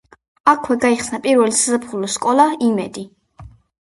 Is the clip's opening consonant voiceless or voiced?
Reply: voiceless